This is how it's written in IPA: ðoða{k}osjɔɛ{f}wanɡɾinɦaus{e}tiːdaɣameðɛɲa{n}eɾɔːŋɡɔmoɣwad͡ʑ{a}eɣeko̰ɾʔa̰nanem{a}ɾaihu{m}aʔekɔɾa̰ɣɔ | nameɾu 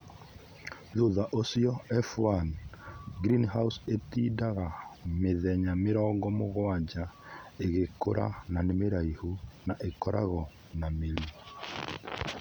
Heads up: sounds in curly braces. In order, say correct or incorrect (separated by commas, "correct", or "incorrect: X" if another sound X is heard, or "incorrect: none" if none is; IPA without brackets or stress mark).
incorrect: ʔ, correct, correct, incorrect: m, correct, incorrect: e, incorrect: n